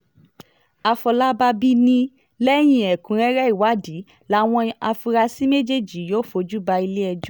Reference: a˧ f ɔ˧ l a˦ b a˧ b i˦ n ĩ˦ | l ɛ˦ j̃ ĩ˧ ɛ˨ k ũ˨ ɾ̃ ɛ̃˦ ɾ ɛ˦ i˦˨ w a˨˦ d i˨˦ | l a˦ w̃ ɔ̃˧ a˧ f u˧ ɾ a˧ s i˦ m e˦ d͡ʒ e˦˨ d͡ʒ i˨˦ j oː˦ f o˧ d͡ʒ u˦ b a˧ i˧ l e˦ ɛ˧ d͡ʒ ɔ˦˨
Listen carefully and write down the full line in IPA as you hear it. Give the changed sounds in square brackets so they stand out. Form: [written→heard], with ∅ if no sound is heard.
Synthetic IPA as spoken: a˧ f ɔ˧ l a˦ b a˧ b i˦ n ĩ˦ | l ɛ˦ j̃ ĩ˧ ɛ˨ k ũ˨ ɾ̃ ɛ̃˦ ɾ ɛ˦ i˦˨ w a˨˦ d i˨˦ | l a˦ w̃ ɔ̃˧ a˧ f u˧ ɾ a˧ s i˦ m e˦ d͡ʒ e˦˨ d͡ʒ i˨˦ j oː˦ f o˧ d͡ʒ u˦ b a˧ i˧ l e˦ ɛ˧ d͡ʒ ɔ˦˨

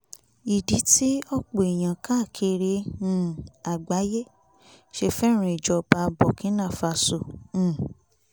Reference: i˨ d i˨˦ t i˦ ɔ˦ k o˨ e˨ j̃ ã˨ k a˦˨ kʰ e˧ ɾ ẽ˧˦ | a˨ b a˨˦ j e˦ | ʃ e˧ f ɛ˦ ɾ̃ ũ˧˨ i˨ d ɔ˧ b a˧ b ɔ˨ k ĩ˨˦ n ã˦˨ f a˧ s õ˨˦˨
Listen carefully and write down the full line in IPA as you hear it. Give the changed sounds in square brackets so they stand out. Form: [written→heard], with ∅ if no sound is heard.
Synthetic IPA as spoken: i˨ d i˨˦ t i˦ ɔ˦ [k→k͡p] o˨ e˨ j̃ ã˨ k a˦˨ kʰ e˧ ɾ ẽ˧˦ | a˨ [b→ɡ͡b] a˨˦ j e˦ | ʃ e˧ f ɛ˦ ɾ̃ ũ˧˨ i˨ [d→d͡ʒ] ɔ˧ b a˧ b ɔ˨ k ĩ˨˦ n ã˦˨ f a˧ s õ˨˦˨

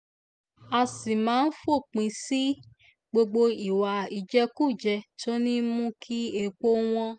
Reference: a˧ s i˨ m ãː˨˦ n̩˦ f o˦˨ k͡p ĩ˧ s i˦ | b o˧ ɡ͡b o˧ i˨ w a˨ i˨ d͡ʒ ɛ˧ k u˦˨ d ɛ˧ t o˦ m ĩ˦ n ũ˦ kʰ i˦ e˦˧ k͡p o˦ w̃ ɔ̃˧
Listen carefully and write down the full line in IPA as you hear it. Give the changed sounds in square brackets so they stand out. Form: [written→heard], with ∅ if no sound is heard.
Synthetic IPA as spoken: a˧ s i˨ m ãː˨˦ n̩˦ f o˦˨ k͡p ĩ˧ s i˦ | [b→ɡ͡b] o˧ ɡ͡b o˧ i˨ w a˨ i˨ d͡ʒ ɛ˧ k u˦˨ [d→d͡ʒ] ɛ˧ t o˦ [m→n] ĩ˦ [n→m] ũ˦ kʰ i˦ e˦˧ k͡p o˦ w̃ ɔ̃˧

